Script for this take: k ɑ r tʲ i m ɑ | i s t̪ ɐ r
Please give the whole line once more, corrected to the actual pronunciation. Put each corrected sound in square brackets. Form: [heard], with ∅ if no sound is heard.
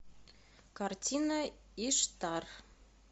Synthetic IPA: k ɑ r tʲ i [n] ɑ | i [ʃ] t̪ [ɑ] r